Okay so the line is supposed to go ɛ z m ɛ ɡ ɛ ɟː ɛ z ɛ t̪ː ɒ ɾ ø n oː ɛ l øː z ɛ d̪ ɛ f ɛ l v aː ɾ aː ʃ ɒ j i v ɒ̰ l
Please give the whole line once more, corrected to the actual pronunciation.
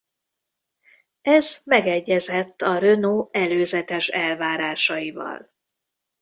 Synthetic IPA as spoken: ɛ z m ɛ ɡ ɛ ɟː ɛ z ɛ t̪ː ɒ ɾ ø n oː ɛ l øː z ɛ t̪ ɛ ʃ ɛ l v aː ɾ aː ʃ ɒ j i v ɒ̰ l